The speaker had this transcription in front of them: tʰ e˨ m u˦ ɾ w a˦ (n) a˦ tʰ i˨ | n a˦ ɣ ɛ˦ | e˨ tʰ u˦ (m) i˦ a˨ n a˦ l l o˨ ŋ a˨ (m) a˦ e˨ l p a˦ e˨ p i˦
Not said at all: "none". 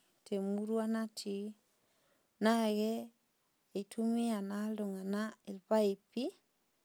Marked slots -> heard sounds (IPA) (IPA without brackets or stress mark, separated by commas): n, m, n